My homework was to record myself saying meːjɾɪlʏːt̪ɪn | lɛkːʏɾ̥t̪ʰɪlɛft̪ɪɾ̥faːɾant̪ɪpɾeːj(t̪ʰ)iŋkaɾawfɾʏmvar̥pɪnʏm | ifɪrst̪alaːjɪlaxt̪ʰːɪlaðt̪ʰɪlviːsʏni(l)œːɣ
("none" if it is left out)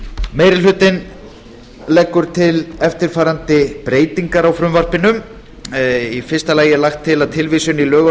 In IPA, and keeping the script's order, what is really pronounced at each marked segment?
t̪, l

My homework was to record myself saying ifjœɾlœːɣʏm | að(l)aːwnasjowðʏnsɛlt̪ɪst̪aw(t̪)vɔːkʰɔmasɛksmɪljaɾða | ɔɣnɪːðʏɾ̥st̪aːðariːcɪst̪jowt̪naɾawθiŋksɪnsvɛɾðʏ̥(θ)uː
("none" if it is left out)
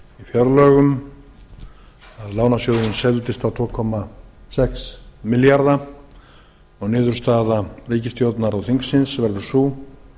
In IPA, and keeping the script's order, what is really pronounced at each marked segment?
l, t̪ʰ, s

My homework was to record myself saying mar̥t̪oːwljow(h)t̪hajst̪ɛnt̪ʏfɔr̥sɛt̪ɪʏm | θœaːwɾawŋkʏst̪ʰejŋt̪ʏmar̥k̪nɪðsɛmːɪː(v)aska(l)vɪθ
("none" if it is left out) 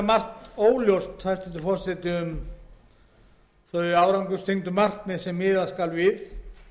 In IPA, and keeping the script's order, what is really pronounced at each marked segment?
s, ð, l

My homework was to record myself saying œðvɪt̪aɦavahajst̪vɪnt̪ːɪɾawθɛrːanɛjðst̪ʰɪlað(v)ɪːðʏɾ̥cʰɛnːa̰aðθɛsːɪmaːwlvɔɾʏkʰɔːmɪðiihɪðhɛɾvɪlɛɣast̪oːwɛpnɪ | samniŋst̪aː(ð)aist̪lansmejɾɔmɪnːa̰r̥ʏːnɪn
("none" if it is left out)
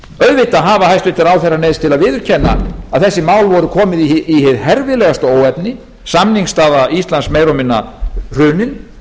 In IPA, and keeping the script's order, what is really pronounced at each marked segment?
v, ð

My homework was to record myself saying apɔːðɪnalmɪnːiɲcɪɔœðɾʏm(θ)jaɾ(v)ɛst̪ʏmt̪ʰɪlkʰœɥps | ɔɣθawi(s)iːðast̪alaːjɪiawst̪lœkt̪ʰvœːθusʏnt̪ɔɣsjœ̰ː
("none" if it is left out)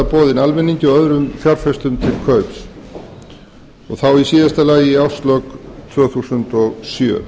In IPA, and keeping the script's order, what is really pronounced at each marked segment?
f, f, s

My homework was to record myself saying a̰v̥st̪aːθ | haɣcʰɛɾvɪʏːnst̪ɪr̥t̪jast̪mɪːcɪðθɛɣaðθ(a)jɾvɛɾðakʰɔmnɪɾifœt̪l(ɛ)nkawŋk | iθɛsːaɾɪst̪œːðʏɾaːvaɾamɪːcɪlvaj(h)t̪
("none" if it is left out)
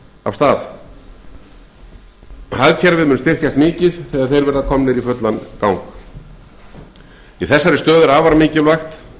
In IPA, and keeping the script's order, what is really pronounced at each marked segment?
e, a, x

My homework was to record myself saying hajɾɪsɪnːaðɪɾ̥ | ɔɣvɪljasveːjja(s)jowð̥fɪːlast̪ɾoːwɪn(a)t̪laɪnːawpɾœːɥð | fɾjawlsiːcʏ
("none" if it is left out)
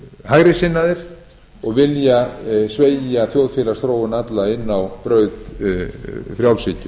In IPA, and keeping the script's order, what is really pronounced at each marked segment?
θ, a

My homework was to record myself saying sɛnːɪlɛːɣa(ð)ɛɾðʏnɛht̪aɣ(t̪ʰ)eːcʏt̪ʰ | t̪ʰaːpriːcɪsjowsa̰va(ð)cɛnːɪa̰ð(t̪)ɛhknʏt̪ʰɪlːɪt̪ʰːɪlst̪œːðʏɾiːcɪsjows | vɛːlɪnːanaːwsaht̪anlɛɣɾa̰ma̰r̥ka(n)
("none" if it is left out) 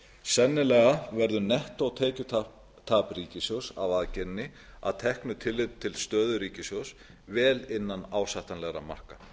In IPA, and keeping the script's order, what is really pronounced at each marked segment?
v, t̪ʰ, ð, t̪ʰ, none

